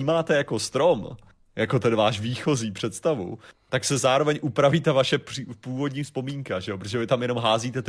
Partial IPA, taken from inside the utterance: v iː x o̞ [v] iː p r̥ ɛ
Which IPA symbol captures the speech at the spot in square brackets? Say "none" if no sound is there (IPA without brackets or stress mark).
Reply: z